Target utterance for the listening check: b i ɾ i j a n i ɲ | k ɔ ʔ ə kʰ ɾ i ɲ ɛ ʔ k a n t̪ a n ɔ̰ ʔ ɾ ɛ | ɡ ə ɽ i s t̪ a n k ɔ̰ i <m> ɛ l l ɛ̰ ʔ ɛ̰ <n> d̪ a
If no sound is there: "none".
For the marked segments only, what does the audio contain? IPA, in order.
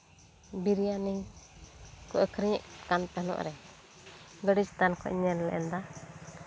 ɲ, n

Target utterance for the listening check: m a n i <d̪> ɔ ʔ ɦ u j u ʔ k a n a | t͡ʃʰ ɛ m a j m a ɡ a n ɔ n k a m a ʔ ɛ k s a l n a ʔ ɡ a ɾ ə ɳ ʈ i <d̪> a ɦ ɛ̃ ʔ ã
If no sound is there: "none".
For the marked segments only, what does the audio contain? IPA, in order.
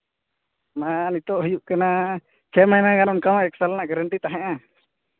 t̪, t̪

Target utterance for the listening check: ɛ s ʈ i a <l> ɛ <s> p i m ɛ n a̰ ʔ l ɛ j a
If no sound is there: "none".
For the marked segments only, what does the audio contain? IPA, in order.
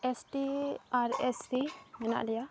ɾ, s

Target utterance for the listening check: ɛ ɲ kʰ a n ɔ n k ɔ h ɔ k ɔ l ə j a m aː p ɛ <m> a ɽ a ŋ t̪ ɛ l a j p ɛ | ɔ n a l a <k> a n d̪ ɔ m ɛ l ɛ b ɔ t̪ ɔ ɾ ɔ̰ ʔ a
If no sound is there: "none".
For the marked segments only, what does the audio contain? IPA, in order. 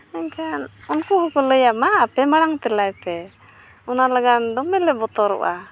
m, ɡ

